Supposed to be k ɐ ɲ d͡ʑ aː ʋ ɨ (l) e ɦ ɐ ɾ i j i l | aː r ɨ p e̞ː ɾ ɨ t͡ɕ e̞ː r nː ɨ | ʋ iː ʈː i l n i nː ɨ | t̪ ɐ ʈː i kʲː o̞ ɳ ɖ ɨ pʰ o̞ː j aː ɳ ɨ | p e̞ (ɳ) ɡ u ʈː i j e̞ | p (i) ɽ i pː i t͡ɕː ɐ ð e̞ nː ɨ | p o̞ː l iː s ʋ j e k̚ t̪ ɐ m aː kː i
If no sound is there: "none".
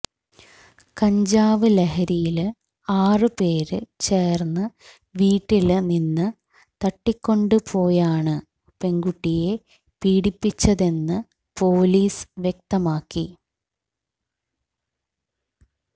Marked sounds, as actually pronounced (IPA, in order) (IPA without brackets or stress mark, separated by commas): l, ŋ, iː